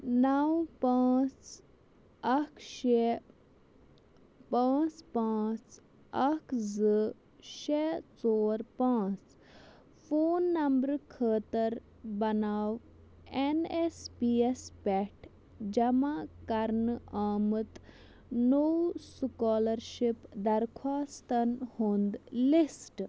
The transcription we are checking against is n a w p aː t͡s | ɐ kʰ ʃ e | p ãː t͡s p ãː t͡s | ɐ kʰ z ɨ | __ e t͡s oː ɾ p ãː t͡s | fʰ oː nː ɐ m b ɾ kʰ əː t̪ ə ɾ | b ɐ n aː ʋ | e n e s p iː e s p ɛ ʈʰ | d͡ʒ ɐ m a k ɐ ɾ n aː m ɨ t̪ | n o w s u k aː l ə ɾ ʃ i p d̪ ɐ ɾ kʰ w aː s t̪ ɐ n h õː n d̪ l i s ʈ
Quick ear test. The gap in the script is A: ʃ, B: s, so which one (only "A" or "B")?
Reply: A